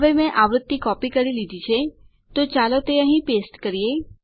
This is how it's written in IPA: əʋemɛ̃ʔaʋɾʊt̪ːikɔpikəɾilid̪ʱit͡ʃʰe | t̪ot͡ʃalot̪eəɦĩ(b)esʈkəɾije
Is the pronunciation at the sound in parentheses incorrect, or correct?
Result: incorrect